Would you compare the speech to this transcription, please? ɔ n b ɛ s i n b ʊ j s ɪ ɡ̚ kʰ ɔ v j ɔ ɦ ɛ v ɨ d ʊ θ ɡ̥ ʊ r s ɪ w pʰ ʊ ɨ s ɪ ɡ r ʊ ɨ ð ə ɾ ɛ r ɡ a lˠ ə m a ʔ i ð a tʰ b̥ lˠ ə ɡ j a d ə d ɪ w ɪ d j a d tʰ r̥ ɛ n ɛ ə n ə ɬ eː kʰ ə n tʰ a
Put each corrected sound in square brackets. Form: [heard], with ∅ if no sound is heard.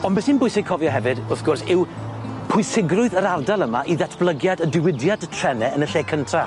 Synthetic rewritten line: ɔ n b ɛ s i n b ʊ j s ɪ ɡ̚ kʰ ɔ v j ɔ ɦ ɛ v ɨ d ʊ θ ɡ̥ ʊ r s ɪ w pʰ ʊ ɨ s ɪ ɡ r ʊ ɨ ð ə ɾ [a] r [d] a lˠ ə m a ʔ i ð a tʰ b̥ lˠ ə ɡ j a d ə d ɪ w ɪ d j a d tʰ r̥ ɛ n ɛ ə n ə ɬ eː kʰ ə n tʰ a